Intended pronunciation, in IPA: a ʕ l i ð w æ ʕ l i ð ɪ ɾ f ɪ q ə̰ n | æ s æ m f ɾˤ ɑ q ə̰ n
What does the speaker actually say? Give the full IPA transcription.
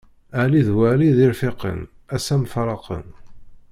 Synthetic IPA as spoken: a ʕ l i ð w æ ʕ l i ð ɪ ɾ f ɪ q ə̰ n | æ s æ m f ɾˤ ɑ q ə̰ n